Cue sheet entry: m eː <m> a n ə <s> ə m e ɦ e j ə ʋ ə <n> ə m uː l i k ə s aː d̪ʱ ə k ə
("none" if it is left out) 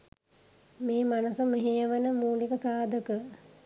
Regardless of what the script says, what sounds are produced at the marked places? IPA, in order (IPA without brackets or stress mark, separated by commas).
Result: m, s, n